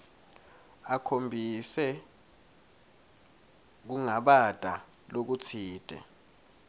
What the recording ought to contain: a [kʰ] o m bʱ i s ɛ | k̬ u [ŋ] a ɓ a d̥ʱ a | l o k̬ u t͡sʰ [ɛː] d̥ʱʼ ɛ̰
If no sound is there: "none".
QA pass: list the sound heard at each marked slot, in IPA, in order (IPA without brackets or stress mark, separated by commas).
kʰ, ŋ, iː